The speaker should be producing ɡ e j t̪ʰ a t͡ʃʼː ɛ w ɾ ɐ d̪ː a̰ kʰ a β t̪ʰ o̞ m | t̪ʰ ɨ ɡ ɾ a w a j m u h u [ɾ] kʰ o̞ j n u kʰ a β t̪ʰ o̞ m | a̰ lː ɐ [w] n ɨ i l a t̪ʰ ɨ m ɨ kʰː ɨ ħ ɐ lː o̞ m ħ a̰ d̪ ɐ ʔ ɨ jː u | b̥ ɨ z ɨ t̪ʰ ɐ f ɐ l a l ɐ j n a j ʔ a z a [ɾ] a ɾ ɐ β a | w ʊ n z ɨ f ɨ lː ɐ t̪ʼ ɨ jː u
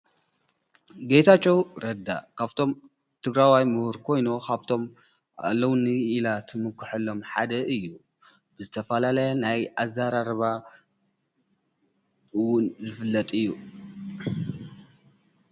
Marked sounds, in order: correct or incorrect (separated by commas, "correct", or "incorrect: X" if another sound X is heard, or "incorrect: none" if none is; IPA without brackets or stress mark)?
correct, correct, correct